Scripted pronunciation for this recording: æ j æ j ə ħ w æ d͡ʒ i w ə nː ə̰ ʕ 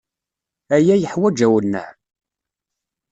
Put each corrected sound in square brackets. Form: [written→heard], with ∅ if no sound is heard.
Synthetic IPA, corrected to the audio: æ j æ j ə ħ w æ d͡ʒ [i→æ] w ə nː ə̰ ʕ